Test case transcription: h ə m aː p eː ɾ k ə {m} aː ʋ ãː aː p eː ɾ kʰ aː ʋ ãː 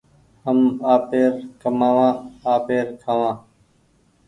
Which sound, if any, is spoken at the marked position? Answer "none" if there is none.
m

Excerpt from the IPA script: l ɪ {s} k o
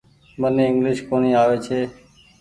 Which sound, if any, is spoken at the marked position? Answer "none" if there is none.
ʃ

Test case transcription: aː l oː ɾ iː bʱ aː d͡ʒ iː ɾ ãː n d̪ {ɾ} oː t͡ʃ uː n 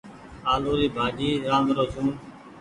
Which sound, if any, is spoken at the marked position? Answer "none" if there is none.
ɾ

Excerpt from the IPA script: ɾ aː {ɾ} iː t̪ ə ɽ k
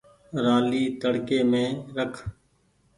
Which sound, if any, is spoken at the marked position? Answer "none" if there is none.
l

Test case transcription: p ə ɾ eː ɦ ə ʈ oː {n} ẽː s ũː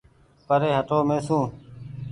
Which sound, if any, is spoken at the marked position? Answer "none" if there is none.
m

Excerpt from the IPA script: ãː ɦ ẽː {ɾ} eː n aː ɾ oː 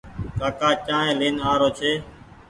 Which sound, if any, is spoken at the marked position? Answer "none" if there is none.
l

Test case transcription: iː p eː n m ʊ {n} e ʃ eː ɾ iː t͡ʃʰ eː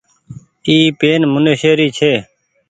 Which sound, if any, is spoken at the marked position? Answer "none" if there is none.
n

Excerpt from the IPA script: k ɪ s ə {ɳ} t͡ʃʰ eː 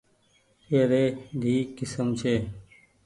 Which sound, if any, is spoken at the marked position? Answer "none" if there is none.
m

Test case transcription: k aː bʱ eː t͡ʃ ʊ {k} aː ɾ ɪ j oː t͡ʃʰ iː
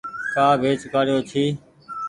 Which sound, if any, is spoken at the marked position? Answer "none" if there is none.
k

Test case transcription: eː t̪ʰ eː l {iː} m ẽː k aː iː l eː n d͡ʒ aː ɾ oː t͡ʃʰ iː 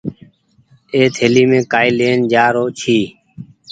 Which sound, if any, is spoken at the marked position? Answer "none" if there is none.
iː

